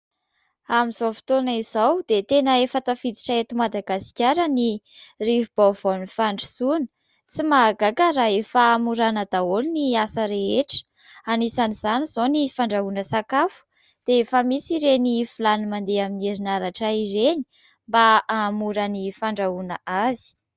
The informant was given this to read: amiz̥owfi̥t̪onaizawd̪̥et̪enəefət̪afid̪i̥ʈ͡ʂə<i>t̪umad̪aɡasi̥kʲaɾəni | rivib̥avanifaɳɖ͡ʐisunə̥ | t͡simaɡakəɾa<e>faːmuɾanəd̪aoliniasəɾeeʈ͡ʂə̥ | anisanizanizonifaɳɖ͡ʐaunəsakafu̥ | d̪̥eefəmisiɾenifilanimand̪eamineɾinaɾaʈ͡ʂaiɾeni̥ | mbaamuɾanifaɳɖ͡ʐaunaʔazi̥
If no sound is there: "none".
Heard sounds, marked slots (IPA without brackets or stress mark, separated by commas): e, e